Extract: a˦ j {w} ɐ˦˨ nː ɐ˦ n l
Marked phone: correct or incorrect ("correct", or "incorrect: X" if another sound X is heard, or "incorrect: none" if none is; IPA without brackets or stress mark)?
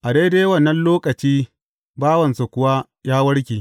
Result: correct